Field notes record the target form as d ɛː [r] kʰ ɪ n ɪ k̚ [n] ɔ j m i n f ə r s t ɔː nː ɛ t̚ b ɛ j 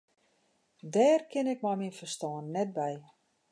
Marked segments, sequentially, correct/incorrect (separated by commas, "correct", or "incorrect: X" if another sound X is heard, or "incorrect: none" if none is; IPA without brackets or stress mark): correct, incorrect: m